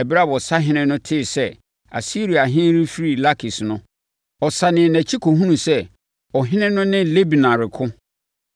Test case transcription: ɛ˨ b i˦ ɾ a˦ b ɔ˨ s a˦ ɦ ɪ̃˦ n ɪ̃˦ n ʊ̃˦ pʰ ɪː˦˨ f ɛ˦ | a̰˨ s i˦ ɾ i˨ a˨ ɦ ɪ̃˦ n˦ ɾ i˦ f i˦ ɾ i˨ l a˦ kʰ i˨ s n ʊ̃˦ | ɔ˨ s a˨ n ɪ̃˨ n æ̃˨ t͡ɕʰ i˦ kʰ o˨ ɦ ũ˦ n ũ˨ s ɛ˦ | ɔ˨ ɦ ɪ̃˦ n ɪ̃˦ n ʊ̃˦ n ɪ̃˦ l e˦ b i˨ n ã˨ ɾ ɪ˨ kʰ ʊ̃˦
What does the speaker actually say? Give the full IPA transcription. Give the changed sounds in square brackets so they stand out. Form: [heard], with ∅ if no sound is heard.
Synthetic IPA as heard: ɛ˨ b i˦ ɾ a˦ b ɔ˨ s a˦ ɦ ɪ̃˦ n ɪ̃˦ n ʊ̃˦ [tʰ] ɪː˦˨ [s] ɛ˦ | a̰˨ s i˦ ɾ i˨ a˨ ɦ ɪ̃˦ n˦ ɾ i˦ f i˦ ɾ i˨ l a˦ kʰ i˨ s n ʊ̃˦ | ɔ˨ s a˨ n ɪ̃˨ n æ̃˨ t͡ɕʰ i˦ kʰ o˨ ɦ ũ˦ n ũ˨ s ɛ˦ | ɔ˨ ɦ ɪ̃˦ n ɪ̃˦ n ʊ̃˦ n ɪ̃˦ l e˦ b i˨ n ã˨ ɾ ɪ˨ kʰ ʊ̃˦